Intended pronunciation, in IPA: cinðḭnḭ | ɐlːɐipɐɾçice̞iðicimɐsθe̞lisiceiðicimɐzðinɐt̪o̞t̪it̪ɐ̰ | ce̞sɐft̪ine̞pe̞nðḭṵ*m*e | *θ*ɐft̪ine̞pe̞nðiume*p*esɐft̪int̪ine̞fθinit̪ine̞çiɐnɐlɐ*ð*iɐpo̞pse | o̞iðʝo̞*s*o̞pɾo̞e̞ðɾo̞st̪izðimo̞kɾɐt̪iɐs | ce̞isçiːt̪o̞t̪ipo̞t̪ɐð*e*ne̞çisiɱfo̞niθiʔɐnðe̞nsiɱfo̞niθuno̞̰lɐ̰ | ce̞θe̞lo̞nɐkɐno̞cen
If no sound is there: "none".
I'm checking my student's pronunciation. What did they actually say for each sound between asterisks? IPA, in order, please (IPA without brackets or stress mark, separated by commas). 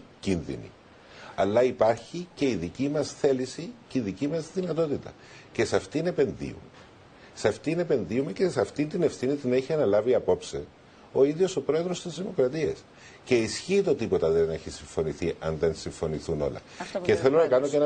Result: m, s, c, v, s, e